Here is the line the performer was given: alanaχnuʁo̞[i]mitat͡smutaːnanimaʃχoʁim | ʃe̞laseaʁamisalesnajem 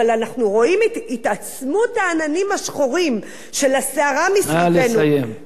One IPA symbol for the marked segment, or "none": i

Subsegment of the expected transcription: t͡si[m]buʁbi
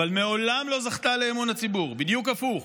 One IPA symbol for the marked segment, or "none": none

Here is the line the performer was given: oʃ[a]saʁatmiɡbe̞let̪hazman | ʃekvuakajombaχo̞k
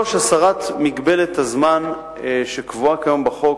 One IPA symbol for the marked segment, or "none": a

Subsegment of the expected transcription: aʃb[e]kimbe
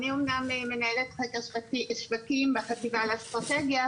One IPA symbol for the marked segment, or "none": a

